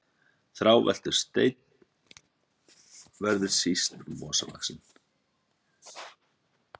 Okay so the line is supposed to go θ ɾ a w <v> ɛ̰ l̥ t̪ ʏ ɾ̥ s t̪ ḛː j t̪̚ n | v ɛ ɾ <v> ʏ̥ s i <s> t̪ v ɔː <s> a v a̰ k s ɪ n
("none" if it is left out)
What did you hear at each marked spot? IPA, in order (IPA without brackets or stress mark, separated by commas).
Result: v, ð, s, s